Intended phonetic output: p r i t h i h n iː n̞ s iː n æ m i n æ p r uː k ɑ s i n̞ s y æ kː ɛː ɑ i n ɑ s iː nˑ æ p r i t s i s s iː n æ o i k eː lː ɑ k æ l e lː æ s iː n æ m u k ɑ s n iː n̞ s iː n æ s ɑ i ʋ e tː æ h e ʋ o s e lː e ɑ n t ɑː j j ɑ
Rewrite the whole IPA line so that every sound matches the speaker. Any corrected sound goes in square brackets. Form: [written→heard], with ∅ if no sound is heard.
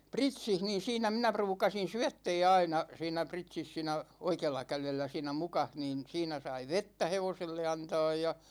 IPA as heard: p r i t [h→s] i h n iː n̞ s iː n æ m i n æ p r uː k ɑ s i n̞ s y æ [kː→tː] ɛː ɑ i n ɑ s iː nˑ æ p r i t s i s s iː n æ o i k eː lː ɑ k æ l e lː æ s iː n æ m u k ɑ [s→h] n iː n̞ s iː n æ s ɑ i ʋ e tː æ h e ʋ o s e lː e ɑ n t ɑː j j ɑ